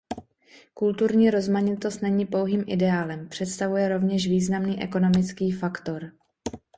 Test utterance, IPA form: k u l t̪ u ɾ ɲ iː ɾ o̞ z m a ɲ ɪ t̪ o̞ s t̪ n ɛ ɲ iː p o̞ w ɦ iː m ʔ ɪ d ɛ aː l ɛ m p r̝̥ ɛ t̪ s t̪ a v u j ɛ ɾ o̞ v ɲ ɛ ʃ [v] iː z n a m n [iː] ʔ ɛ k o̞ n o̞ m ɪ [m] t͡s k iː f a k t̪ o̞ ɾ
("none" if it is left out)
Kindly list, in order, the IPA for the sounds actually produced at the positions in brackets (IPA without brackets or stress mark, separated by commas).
v, iː, none